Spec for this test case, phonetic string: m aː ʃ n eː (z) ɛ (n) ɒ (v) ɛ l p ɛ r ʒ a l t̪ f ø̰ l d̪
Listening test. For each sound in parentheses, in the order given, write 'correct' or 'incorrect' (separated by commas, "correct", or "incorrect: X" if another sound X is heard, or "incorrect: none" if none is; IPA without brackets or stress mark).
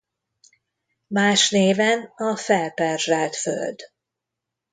incorrect: v, correct, incorrect: f